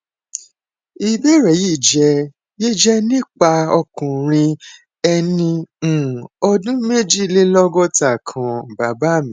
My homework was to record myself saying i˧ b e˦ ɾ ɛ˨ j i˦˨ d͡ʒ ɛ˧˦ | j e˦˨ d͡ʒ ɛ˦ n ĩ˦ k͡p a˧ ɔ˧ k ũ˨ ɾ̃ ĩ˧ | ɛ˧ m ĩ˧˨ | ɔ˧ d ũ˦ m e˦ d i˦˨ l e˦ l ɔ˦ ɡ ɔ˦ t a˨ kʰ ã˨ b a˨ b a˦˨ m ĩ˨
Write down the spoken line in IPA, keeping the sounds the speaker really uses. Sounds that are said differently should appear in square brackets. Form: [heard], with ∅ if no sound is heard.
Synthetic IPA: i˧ b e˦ ɾ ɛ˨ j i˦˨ d͡ʒ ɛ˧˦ | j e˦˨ d͡ʒ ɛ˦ n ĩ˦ k͡p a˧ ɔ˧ k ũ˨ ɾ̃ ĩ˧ | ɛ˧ [n] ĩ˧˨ | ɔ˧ d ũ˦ m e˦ [d͡ʒ] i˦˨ l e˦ l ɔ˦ ɡ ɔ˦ t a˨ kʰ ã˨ b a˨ b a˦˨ m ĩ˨

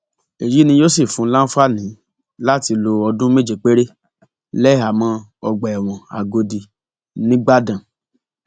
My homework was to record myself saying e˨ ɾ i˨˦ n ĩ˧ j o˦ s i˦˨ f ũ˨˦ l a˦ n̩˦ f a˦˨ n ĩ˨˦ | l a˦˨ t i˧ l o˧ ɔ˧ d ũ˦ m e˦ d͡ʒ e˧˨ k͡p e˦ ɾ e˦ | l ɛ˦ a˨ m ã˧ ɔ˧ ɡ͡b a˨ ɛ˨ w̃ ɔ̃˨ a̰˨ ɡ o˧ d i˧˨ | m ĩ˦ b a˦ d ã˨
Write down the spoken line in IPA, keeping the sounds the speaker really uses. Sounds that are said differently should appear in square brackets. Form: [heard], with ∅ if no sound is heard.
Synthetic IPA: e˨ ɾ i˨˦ n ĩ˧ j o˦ s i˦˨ f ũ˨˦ l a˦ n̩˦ f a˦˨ n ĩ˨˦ | l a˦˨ t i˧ l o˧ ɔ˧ d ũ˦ m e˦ d͡ʒ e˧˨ k͡p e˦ ɾ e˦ | l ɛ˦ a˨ m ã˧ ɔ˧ ɡ͡b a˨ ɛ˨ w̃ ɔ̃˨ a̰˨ ɡ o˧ d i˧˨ | [n] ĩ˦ [ɡ͡b] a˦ d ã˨

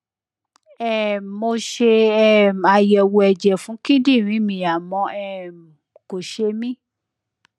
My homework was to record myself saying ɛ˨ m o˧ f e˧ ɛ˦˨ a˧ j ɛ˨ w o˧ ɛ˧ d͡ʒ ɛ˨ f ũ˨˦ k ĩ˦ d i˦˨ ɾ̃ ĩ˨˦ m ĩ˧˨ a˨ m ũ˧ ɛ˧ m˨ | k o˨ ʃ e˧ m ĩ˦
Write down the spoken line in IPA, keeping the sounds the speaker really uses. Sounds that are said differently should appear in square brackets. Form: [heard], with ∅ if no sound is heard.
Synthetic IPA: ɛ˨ m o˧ [ʃ] e˧ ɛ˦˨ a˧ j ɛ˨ w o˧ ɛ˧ d͡ʒ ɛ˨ f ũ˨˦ k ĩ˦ d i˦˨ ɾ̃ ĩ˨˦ m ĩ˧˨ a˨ m [ɔ̃˧] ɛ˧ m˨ | k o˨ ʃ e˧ m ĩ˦

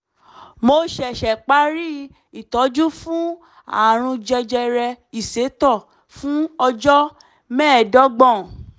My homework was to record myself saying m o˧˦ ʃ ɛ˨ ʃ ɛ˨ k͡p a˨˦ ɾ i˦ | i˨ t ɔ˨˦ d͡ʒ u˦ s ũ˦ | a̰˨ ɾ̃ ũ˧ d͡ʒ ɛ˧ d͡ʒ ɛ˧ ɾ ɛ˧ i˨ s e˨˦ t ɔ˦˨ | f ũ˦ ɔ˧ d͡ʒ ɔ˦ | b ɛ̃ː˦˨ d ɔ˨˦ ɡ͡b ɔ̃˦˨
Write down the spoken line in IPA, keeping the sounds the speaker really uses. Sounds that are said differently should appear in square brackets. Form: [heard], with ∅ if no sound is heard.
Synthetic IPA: m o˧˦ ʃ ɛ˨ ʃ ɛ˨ k͡p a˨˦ ɾ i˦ | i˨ t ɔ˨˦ d͡ʒ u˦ [f] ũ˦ | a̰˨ ɾ̃ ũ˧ d͡ʒ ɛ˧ d͡ʒ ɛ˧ ɾ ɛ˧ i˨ s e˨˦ t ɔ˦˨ | f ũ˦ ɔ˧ d͡ʒ ɔ˦ | [m] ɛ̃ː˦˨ d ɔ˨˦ ɡ͡b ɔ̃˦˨

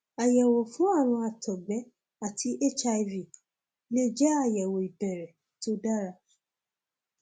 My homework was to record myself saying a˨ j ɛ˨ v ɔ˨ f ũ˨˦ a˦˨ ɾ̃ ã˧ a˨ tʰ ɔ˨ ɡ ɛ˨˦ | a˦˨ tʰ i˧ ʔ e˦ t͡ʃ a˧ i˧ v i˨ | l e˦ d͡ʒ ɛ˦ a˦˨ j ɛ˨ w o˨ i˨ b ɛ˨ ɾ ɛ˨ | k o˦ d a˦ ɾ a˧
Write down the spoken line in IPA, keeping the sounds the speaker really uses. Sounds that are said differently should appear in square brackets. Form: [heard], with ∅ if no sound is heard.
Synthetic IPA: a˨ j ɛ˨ [w] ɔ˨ f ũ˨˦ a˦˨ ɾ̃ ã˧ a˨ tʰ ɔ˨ [ɡ͡b] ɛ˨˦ | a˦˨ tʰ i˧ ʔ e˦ t͡ʃ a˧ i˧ v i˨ | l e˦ d͡ʒ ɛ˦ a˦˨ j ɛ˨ w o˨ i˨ b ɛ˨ ɾ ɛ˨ | [t] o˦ d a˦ ɾ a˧

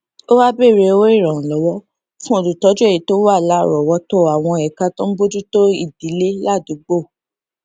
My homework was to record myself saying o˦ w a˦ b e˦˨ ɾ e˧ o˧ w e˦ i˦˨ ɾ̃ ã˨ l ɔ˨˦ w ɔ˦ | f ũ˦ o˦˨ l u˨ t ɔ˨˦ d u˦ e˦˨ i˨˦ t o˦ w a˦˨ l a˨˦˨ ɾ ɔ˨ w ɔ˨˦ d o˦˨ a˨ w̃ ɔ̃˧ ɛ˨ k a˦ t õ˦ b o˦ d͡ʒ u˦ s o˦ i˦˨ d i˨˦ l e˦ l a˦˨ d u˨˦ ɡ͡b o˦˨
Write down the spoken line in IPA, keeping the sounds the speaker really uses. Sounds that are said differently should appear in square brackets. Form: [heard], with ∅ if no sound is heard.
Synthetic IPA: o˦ w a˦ b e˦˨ ɾ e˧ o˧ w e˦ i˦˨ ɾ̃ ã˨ l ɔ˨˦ w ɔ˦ | f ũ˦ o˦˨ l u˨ t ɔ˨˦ [d͡ʒ] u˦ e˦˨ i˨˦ t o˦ w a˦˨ l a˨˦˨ ɾ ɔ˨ w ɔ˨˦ [t] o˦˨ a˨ w̃ ɔ̃˧ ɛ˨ k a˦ t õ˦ b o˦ d͡ʒ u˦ [t] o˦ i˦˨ d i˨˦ l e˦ l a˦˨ d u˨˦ ɡ͡b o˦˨

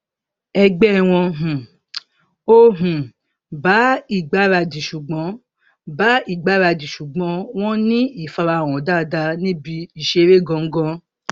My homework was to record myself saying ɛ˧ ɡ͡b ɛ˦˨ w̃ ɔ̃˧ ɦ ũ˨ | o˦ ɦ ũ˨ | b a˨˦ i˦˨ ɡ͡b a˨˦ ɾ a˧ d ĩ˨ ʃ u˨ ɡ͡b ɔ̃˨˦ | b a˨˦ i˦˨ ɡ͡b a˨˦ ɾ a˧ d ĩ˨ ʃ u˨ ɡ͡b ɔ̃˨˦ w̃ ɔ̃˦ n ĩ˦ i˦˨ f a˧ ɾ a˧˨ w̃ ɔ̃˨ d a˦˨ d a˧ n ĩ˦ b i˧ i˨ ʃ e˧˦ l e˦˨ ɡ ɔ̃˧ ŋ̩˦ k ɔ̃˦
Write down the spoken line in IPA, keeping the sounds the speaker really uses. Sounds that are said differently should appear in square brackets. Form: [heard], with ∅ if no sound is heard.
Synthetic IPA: ɛ˧ ɡ͡b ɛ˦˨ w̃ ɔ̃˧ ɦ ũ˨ | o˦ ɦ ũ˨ | b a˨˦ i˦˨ ɡ͡b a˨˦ ɾ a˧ d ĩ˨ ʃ u˨ ɡ͡b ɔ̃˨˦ | b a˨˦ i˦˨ ɡ͡b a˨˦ ɾ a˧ d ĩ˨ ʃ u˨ ɡ͡b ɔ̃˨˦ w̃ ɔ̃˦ n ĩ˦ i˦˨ f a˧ ɾ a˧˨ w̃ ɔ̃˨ d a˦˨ d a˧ n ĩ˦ b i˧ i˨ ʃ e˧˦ [ɾ] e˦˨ ɡ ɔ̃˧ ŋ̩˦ [ɡ] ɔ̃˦

